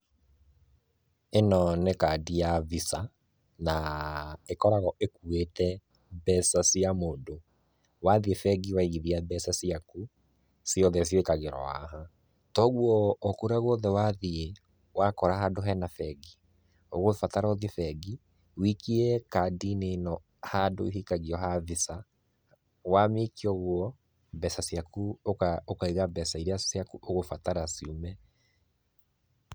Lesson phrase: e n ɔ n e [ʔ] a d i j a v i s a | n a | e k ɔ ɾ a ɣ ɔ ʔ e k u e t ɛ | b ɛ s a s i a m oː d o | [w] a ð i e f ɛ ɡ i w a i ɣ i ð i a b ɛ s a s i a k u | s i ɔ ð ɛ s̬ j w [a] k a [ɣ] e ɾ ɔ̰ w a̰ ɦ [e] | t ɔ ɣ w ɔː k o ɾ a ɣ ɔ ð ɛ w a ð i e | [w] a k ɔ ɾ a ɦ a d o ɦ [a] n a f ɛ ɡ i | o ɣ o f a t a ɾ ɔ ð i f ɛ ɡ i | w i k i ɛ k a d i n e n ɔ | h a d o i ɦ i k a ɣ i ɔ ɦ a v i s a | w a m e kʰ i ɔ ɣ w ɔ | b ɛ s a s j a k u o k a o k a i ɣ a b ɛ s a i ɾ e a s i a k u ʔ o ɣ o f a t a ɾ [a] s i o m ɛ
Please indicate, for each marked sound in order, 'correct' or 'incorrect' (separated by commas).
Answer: incorrect, correct, incorrect, correct, incorrect, correct, incorrect, correct